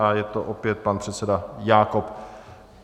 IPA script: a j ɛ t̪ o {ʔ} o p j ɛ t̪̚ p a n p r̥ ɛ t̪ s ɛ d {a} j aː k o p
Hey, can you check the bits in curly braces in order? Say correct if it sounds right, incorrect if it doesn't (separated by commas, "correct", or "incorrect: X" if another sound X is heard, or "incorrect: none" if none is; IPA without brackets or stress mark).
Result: correct, correct